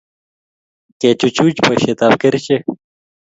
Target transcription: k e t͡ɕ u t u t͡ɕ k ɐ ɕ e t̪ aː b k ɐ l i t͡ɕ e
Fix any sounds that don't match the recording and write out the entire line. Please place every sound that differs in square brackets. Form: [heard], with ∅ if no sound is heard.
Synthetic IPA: k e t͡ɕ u [t͡ɕ] u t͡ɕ [p] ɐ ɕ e t̪ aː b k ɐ [ɾ] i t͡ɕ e